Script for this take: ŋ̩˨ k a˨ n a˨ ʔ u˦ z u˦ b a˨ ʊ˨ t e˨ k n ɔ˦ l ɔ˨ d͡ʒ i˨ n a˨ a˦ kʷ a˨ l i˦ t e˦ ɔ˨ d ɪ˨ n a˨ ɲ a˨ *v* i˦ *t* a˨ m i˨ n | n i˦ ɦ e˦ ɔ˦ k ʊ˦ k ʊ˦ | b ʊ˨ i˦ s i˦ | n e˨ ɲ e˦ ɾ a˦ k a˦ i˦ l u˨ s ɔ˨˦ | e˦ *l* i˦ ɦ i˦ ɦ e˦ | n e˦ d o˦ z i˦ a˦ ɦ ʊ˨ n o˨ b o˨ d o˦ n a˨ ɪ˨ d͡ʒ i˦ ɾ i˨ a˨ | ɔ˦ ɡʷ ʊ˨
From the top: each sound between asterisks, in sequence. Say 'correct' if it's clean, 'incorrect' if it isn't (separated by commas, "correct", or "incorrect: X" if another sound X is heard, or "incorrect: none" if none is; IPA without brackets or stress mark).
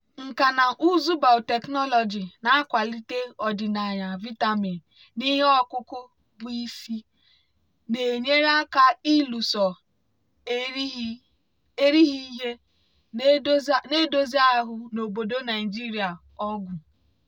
correct, correct, incorrect: ɾ